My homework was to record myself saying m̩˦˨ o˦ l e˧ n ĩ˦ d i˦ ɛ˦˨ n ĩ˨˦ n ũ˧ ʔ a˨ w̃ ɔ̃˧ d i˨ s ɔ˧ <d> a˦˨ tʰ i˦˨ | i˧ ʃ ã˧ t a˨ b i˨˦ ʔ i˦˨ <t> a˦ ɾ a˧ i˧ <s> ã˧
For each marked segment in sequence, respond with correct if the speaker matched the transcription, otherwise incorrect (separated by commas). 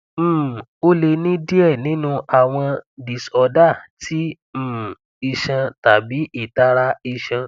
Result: correct, correct, incorrect